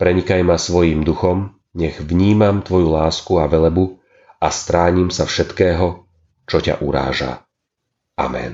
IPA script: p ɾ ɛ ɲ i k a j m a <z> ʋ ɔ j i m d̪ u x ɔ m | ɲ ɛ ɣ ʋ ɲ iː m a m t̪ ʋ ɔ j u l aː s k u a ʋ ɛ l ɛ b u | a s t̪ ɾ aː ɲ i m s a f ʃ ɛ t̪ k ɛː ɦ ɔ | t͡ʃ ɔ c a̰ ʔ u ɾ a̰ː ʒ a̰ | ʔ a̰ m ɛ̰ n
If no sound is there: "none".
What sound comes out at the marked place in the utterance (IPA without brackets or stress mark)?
s